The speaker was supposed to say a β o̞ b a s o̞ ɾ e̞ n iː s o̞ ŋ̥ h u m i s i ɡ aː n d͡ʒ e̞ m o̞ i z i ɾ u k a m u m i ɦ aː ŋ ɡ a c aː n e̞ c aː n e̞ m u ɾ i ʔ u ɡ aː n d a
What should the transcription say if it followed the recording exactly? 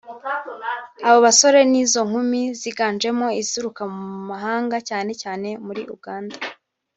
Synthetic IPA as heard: a β o̞ β a s o̞ ɾ e̞ n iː z o̞ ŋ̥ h u m i z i ɡ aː n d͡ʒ e̞ m o̞ i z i ɾ u k a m u m a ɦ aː ŋ ɡ a c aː n e̞ c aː n e̞ m u ɾ i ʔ u ɡ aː n d a